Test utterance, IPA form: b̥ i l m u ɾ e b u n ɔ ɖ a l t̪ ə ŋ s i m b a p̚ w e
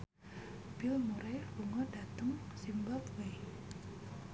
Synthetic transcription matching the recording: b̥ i l m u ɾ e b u ŋ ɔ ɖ a t̪ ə ŋ s i m b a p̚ w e